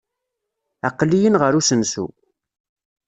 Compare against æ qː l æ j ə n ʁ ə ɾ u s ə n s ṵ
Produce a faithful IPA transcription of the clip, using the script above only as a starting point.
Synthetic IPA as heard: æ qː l i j ə n ʁ ə ɾ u s ə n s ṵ